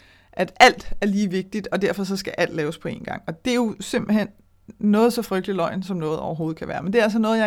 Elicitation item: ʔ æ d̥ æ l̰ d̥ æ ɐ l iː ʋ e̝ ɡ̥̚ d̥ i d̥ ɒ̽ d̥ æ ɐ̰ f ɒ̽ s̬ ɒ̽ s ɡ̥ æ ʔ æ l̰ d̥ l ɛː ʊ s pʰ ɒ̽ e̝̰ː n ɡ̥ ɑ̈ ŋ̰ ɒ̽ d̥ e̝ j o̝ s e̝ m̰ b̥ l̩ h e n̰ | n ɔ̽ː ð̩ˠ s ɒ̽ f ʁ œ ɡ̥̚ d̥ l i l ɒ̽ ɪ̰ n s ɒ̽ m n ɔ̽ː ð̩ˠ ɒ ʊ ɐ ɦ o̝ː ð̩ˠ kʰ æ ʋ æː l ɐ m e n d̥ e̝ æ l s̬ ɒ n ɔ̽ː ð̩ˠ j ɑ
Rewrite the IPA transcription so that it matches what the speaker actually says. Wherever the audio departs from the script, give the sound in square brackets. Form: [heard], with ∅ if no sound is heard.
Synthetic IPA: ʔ æ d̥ æ l̰ d̥ æ ɐ l iː ʋ e̝ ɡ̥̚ d̥ i d̥ ɒ̽ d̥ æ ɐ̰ f ɒ̽ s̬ ɒ̽ s ɡ̥ æ ʔ æ l̰ d̥ l ɛː ʊ s pʰ ɒ̽ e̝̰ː n ɡ̥ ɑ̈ ŋ̰ ɒ̽ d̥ e̝ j o̝ s e̝ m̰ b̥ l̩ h e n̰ | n ɔ̽ː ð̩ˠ s ɒ̽ f ʁ œ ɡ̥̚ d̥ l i l ɒ̽ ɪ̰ n s ɒ̽ m n ɔ̽ː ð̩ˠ ɒ ʊ ɐ ɦ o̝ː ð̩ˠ kʰ æ ʋ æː [∅] ɐ m e n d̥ e̝ æ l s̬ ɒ n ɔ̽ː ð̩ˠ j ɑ